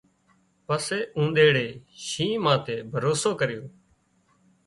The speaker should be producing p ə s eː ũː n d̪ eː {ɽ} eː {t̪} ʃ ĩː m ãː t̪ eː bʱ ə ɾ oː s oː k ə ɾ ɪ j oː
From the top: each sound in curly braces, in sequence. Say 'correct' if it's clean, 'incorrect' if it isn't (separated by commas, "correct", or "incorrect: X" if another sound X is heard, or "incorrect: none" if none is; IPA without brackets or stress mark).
correct, incorrect: none